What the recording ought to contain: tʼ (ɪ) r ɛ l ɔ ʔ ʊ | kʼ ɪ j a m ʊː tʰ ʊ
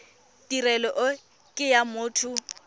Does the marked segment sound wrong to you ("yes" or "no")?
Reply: yes